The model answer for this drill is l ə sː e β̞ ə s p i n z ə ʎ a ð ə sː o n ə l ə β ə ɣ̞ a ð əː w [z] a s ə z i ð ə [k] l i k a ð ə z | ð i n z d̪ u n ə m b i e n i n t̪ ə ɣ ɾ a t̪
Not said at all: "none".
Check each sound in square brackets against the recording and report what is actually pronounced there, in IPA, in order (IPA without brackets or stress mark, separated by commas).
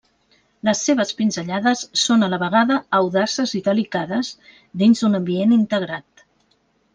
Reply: ð, none